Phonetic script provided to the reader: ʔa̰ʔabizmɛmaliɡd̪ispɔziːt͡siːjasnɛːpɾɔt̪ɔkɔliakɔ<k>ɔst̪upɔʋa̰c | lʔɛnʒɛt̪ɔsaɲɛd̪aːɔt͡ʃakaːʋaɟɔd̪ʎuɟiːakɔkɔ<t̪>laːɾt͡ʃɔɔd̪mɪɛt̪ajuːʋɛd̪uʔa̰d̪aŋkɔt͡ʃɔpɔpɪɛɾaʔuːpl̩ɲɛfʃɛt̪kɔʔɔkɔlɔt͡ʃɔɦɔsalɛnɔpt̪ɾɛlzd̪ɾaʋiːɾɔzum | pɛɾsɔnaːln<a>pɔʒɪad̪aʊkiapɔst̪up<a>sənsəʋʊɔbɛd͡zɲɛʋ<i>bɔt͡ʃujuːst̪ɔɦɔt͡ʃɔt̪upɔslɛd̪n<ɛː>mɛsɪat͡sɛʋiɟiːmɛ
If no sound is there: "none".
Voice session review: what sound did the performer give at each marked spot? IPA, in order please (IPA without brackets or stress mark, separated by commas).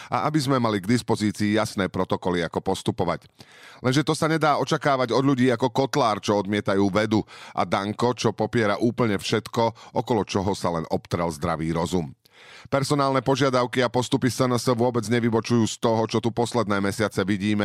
p, t̪, ɛ, i, i, ɛː